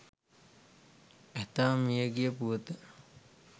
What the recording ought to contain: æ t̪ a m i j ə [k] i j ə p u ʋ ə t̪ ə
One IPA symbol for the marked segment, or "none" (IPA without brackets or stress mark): ɡ